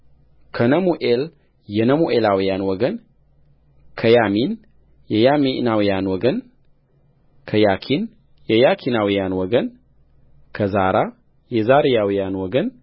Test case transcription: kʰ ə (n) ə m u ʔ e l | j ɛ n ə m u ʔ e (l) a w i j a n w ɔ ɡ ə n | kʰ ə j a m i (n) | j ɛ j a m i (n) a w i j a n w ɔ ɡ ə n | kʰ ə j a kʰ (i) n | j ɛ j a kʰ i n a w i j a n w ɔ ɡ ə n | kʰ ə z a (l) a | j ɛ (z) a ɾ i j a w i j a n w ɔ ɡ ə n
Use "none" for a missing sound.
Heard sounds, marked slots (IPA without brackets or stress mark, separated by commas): n, l, n, n, i, ɾ, z